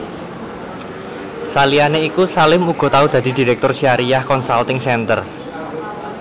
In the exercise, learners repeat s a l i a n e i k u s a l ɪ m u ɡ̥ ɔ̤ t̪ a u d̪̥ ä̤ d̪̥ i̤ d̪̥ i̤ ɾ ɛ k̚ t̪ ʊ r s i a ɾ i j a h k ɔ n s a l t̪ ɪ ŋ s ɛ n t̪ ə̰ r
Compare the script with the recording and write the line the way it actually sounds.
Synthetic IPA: s a l i a n e i k u s a l ɪ m u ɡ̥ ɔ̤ t̪ a u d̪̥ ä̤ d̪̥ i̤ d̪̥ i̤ ɾ ɛ k̚ t̪ ʊ r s i a ɾ i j a h k ɔ n s a l t̪ ɪ ŋ s ɛ n t̪ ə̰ r